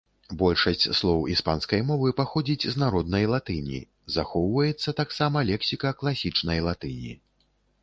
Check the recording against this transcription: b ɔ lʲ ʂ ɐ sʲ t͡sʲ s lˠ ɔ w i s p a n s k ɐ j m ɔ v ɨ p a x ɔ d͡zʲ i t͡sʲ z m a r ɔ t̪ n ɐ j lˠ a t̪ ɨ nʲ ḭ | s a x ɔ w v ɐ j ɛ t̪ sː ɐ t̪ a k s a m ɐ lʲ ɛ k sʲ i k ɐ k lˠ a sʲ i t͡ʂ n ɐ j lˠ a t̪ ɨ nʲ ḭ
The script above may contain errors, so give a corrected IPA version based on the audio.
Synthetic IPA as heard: b ɔ lʲ ʂ ɐ sʲ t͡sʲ s lˠ ɔ w i s p a n s k ɐ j m ɔ v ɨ p a x ɔ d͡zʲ i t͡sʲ z n a ɾ ɔ d̪ n ɐ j lˠ a t̪ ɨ nʲ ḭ | z a x ɔ w v ɐ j ɛ t̪ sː ɐ t̪ a k s a m ɐ lʲ ɛ k sʲ i k ɐ k lˠ a sʲ i t͡ʂ n ɐ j lˠ a t̪ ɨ nʲ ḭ